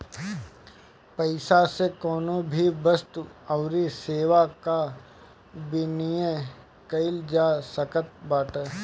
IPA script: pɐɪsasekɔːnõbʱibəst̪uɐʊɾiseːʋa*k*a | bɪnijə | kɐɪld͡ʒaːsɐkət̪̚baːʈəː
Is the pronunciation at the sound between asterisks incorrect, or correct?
correct